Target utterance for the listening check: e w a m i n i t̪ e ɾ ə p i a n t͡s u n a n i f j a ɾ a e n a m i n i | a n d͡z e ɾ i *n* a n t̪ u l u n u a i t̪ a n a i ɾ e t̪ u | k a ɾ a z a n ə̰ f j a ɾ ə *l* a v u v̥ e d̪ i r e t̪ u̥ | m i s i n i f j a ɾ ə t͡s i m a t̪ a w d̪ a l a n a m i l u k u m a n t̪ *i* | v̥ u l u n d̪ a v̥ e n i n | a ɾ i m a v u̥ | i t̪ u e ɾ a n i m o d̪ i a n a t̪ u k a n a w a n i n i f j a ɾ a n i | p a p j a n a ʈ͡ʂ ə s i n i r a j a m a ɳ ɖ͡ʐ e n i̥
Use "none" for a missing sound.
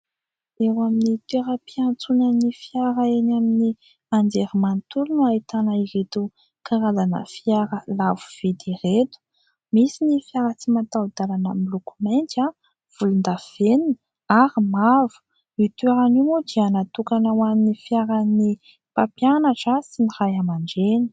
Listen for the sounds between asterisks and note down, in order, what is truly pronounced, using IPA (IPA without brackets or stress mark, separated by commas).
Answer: m, l, a